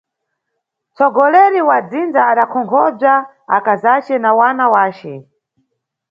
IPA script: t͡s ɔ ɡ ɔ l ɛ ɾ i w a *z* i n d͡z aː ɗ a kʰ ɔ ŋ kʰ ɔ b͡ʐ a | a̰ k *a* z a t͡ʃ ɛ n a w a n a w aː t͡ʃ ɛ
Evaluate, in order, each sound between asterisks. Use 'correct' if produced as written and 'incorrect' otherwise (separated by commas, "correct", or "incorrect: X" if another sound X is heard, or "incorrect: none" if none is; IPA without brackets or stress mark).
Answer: incorrect: d͡z, correct